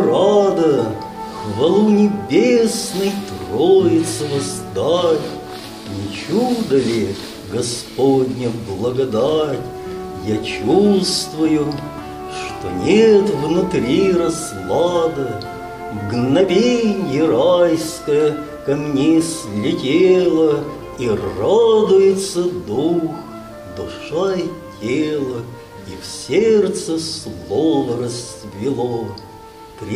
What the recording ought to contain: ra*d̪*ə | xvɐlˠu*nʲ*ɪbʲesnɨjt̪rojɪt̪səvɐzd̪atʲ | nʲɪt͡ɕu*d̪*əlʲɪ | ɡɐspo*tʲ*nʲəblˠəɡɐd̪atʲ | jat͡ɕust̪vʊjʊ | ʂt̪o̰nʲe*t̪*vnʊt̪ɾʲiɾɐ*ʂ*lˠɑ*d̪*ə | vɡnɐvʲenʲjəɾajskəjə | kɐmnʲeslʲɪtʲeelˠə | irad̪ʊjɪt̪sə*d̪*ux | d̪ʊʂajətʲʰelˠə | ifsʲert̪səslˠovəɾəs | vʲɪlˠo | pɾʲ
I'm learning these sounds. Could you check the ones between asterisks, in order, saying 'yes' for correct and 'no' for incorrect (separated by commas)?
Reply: yes, yes, yes, no, yes, no, yes, yes